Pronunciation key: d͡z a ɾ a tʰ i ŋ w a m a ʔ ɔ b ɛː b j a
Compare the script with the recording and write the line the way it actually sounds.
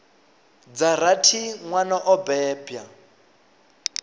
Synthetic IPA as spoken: d͡z a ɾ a tʰ i ŋ w a n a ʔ ɔ b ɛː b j a